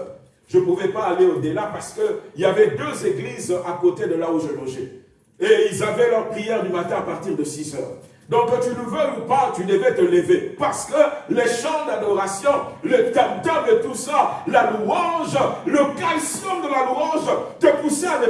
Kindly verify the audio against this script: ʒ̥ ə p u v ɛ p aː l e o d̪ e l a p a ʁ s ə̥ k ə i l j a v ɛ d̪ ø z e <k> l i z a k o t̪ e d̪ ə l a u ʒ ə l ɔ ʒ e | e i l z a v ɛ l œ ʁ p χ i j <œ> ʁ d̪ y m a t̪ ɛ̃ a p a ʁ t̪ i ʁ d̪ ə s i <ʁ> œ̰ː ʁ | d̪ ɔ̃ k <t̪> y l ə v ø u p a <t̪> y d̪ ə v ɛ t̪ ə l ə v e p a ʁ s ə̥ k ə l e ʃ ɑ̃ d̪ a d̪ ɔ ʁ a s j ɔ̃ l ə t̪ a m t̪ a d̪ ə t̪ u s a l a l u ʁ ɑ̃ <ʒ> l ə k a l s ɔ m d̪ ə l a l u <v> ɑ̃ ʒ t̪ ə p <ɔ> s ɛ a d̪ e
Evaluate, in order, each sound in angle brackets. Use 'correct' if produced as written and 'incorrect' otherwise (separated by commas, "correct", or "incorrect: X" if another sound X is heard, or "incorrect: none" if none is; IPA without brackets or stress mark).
incorrect: ɡ, incorrect: ɛ, incorrect: z, correct, correct, correct, incorrect: ʁ, incorrect: u